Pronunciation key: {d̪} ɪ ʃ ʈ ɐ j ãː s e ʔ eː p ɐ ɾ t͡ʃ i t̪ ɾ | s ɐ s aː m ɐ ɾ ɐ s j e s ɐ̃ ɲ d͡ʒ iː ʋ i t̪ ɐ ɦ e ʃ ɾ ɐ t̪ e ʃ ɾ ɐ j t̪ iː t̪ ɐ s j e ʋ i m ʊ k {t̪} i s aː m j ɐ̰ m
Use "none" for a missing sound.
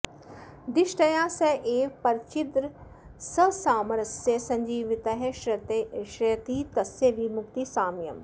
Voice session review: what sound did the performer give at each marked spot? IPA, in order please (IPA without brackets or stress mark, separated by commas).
d̪, t̪